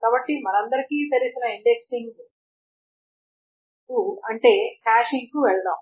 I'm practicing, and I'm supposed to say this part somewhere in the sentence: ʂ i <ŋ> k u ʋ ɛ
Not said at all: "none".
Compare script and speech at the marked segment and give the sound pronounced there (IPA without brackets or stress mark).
ŋ